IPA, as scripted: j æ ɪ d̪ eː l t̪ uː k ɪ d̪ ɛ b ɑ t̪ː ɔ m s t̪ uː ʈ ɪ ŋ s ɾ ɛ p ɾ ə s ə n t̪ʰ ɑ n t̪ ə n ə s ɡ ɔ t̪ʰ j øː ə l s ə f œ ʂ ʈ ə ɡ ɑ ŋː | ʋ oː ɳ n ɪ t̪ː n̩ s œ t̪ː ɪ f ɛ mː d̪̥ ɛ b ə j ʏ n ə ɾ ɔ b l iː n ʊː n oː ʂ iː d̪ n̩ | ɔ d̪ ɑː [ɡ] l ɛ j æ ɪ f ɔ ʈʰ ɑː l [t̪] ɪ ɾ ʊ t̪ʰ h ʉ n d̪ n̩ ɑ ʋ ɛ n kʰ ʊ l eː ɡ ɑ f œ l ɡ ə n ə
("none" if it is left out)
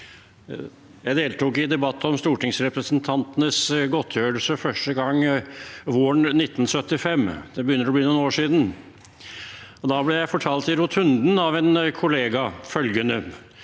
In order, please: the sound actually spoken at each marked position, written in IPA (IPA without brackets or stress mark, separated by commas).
b, t̪